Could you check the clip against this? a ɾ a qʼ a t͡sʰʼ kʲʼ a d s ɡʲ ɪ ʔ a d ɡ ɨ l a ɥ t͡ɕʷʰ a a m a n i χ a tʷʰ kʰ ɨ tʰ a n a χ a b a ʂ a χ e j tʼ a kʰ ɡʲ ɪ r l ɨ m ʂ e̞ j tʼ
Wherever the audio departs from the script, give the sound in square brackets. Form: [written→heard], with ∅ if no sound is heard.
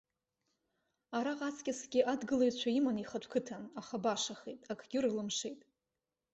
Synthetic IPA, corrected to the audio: a ɾ a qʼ a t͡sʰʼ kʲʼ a [d→∅] s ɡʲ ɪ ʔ a d ɡ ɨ l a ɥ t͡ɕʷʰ a [a→i] m a n i χ a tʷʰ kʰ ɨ tʰ a n a χ a b a ʂ a χ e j tʼ a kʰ ɡʲ ɪ r l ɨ m ʂ e̞ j tʼ